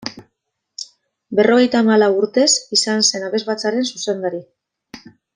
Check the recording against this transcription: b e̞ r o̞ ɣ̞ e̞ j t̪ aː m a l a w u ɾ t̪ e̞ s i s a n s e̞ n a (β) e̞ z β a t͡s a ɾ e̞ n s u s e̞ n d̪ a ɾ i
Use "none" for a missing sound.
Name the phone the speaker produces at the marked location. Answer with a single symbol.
β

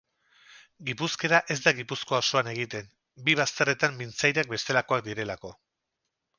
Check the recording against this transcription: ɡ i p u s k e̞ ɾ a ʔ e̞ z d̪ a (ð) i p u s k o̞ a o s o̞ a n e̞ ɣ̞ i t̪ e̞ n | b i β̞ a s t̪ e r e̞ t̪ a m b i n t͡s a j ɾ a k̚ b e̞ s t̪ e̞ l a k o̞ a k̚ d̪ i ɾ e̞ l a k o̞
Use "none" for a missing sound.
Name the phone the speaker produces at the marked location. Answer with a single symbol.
ɣ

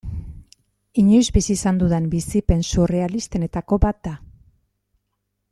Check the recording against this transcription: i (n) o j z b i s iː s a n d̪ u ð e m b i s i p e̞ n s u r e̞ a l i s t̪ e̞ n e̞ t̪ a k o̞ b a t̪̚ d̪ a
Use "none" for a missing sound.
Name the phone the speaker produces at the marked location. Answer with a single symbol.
ɲ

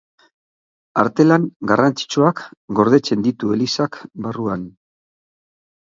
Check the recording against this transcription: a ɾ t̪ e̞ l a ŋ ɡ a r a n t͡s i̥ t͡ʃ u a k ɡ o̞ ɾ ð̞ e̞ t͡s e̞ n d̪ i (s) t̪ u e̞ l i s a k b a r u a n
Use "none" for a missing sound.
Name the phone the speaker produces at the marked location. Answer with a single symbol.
none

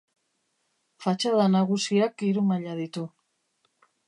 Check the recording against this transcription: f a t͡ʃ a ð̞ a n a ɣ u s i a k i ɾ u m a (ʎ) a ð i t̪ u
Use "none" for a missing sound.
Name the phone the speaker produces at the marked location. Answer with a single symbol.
ʎ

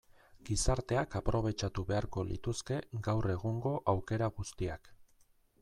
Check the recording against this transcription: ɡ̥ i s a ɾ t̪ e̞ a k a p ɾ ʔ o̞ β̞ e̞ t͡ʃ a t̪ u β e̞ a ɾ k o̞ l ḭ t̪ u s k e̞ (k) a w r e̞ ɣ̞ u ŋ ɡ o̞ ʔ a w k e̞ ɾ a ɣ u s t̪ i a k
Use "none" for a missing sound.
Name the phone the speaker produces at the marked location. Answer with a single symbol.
ɡ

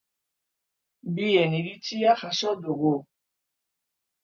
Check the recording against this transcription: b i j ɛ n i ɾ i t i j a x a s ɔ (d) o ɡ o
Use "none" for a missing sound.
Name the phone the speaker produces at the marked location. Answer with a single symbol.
d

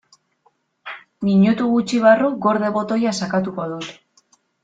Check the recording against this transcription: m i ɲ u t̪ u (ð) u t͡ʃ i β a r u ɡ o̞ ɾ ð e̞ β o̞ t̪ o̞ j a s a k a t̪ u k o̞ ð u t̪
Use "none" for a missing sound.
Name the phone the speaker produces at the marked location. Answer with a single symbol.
ɣ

